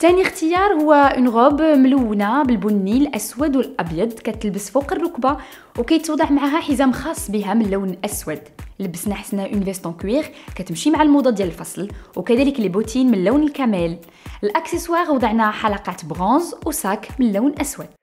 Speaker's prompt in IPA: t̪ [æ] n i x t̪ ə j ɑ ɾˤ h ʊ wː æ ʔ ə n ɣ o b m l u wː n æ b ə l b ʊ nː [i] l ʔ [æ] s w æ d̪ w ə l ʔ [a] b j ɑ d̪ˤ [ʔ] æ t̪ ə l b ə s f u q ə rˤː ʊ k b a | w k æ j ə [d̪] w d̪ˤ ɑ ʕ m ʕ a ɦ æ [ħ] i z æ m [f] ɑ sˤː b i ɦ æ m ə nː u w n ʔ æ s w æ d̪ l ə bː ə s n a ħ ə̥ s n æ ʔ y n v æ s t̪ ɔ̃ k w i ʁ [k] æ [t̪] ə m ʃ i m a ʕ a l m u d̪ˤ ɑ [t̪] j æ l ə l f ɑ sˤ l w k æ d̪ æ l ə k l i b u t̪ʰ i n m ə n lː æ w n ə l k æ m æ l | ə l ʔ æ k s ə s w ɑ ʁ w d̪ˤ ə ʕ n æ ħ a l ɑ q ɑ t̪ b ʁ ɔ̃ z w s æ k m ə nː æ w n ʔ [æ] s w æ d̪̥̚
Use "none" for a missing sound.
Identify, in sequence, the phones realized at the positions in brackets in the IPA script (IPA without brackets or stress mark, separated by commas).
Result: æ, i, æ, ɑ, k, t̪, ħ, x, k, t̪, d̪, æ